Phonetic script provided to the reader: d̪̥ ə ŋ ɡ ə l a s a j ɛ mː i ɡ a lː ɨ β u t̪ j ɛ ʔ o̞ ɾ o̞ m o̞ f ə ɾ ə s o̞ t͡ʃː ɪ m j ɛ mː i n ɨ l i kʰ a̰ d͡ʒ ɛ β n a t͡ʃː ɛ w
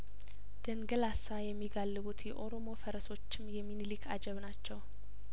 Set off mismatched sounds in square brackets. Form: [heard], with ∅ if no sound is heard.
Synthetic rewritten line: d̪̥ ə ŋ ɡ ə l a s a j ɛ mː i ɡ a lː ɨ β u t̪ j ɛ ʔ o̞ ɾ o̞ m o̞ f ə ɾ ə s o̞ t͡ʃː ɪ m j ɛ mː i n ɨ l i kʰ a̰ d͡ʒ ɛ β n a t͡ʃː ɛ w